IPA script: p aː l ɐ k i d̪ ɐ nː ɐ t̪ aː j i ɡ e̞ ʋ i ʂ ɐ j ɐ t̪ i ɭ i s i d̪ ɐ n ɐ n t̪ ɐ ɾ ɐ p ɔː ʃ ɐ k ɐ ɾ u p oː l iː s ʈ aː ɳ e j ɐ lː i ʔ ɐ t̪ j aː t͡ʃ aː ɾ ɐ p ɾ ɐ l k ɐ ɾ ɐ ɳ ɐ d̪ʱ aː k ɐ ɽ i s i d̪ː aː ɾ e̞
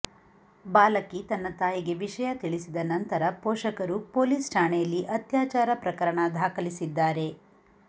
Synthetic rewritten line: b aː l ɐ k i t̪ ɐ nː ɐ t̪ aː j i ɡ e̞ ʋ i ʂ ɐ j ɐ t̪ i ɭ i s i d̪ ɐ n ɐ n t̪ ɐ ɾ ɐ p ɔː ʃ ɐ k ɐ ɾ u p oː l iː s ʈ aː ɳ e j ɐ lː i ʔ ɐ t̪ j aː t͡ʃ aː ɾ ɐ p ɾ ɐ k ɐ ɾ ɐ ɳ ɐ d̪ʱ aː k ɐ l i s i d̪ː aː ɾ e̞